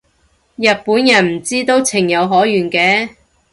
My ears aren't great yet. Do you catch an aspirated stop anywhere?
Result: yes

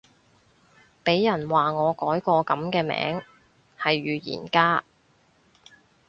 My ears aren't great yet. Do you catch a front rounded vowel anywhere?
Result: yes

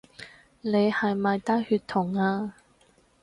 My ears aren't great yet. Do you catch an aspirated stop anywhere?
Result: yes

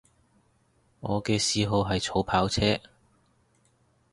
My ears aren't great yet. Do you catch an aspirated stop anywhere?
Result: yes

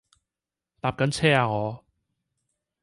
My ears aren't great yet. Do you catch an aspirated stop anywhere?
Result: yes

